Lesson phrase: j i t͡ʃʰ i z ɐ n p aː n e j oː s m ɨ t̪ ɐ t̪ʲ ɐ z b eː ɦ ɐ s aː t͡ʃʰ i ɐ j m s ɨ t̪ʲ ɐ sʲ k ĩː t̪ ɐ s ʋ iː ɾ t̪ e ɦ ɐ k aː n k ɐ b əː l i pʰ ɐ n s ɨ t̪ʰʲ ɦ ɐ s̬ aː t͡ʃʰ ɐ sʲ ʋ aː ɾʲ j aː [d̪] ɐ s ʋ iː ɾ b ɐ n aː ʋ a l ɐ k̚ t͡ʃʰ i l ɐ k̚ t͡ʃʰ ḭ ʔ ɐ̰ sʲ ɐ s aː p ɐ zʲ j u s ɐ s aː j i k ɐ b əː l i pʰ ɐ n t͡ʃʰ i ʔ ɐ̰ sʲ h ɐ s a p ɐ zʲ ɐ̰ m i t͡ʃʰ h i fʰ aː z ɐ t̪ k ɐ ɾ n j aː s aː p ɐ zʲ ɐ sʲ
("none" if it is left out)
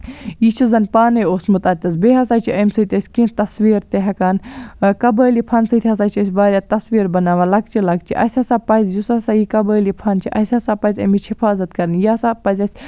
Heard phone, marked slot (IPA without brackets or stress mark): t̪